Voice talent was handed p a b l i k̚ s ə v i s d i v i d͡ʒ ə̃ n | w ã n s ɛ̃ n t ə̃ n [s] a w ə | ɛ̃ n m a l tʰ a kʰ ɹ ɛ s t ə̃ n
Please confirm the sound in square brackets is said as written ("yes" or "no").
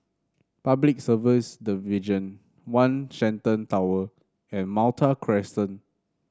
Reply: no